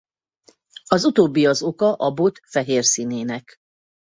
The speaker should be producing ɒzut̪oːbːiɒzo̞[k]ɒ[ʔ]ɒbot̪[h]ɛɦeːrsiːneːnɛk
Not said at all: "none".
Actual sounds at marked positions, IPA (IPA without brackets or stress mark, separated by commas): k, ʔ, f